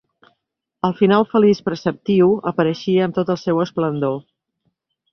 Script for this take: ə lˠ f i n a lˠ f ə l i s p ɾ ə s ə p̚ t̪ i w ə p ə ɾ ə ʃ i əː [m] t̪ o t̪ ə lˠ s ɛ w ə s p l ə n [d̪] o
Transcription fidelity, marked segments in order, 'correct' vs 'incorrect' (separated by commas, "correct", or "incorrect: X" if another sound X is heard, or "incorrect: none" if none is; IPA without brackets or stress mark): correct, correct